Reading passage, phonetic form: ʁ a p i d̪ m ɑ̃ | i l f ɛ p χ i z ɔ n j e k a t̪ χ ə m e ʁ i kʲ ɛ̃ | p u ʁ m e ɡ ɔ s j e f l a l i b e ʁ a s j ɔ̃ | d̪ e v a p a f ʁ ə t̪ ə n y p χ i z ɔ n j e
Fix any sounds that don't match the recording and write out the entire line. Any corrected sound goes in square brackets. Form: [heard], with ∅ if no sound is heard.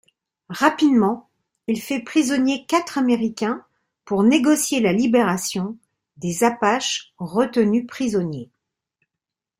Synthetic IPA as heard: ʁ a p i d̪ m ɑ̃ | i l f ɛ p χ i z ɔ n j e k a t̪ χ [a] m e ʁ i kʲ ɛ̃ | p u ʁ [n] e ɡ ɔ s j e [∅] l a l i b e ʁ a s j ɔ̃ | d̪ e [z] a p a [ʃ] ʁ ə t̪ ə n y p χ i z ɔ n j e

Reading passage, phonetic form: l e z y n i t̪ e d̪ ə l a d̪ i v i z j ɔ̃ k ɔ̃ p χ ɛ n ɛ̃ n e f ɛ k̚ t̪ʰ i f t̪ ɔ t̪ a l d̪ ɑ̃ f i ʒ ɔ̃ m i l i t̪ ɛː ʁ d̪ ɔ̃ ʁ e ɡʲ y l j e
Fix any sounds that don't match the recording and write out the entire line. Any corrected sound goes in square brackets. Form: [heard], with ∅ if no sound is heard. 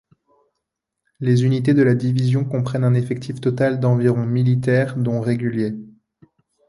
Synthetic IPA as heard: l e z y n i t̪ e d̪ ə l a d̪ i v i z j ɔ̃ k ɔ̃ p χ ɛ n ɛ̃ n e f ɛ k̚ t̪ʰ i f t̪ ɔ t̪ a l d̪ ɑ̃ [v] i [ʁ] ɔ̃ m i l i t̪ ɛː ʁ d̪ ɔ̃ ʁ e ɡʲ y l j e

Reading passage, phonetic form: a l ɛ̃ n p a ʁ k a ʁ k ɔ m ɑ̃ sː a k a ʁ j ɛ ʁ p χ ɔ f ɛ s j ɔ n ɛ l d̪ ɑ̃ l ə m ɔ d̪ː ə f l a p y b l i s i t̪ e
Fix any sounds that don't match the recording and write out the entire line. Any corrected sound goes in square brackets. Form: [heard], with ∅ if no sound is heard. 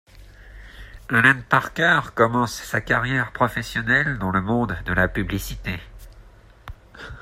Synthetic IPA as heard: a l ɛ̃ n p a ʁ k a ʁ k ɔ m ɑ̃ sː a k a ʁ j ɛ ʁ p χ ɔ f ɛ s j ɔ n ɛ l d̪ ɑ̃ l ə m [ɔ̃] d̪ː ə [∅] l a p y b l i s i t̪ e

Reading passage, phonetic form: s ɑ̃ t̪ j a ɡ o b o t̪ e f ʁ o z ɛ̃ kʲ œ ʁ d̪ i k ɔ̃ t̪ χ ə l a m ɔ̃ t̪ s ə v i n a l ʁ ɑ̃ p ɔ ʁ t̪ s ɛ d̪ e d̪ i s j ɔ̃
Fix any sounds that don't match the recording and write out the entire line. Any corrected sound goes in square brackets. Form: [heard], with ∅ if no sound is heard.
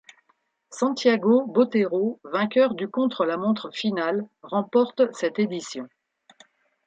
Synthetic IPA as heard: s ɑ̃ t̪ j a ɡ o b o t̪ e [∅] ʁ o [v] ɛ̃ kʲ œ ʁ d̪ [y] k ɔ̃ t̪ χ ə l a m ɔ̃ t̪ [χ] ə [f] i n a l ʁ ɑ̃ p ɔ ʁ t̪ s ɛ [t̪] e d̪ i s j ɔ̃

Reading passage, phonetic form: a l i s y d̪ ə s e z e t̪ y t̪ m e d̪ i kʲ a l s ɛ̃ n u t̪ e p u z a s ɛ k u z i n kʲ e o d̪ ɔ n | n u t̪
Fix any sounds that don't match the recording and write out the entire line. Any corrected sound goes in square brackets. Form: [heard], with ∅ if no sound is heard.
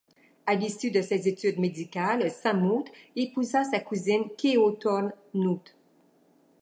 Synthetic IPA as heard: a l i s y d̪ ə s e z e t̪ y [d̪] m e d̪ i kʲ a l s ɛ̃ [m] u t̪ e p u z a s [a] k u z i n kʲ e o [t̪] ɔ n | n u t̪

